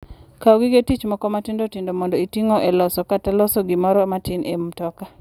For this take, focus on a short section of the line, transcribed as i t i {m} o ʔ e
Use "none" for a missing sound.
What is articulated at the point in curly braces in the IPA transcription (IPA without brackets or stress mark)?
ŋ